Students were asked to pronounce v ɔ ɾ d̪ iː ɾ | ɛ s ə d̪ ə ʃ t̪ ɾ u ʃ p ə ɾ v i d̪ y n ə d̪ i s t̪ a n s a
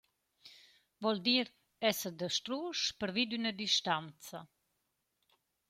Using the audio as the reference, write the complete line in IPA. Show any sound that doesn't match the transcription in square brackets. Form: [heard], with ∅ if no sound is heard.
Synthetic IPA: v ɔ [l] d̪ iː ɾ | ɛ s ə d̪ ə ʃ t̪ ɾ u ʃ p ə ɾ v i d̪ y n ə d̪ i [ʃ] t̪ a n [t͡s] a